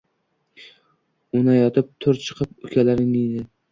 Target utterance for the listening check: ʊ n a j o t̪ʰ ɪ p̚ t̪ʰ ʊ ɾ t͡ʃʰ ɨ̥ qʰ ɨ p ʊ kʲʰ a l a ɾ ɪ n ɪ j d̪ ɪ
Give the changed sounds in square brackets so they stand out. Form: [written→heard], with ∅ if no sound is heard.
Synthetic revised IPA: ʊ n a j [o→ɒ] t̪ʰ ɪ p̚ t̪ʰ ʊ ɾ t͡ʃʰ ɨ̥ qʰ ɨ p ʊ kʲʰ a l a ɾ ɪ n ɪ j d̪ ɪ